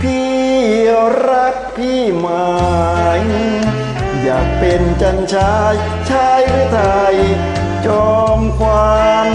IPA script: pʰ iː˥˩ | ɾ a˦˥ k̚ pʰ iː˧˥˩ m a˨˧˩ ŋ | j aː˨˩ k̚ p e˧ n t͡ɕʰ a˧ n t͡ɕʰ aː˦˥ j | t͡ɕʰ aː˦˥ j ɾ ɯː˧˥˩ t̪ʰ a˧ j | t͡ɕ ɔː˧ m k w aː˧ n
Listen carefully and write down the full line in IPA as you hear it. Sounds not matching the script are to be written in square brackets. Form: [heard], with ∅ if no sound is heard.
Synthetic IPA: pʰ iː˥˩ | ɾ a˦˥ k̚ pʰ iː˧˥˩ m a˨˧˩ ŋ | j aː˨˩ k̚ p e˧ n [t͡ɕ] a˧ n t͡ɕʰ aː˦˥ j | t͡ɕʰ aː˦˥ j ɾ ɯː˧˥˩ t̪ʰ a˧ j | t͡ɕ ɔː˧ m k w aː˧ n